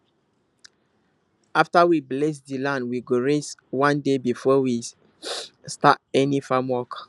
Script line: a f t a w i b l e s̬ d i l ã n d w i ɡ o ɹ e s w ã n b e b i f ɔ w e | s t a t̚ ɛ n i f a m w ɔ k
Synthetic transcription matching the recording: a f t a w i b l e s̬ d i l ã n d w i ɡ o ɹ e s w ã n d e b i f ɔ w i | s t a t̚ ɛ n i f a m w ɔ k